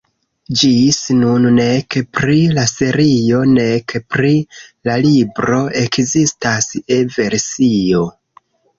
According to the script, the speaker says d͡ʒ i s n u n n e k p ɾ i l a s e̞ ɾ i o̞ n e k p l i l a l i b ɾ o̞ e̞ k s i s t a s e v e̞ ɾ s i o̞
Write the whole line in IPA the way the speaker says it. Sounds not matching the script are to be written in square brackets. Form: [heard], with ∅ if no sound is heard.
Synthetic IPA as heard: d͡ʒ i s n u n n e k p ɾ i l a s e̞ ɾ i o̞ n e k p [ɾ] i l a l i b ɾ o̞ e̞ k [z] i s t a s e v e̞ ɾ s i o̞